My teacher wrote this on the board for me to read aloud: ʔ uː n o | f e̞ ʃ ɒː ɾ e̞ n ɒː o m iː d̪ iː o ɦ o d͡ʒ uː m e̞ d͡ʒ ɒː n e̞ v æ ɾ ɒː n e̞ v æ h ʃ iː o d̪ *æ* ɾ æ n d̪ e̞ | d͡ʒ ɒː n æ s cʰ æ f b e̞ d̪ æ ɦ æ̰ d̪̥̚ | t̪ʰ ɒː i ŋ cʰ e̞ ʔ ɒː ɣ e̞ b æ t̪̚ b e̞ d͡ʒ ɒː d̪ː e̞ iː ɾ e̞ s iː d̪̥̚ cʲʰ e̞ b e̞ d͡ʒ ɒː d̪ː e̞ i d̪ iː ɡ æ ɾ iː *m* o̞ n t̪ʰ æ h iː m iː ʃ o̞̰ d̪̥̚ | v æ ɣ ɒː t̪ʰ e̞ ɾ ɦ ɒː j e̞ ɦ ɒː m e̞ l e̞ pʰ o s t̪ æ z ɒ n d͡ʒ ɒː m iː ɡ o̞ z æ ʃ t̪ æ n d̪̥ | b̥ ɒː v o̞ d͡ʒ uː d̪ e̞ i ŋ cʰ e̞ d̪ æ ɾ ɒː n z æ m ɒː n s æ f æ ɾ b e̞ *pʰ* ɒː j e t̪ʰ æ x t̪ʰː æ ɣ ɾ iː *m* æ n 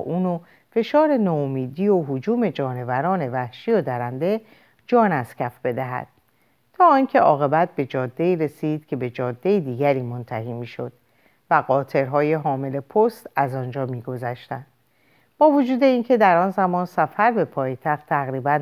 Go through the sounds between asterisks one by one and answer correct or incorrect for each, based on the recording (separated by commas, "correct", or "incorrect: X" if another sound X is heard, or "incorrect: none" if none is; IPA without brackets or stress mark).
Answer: correct, correct, correct, incorrect: b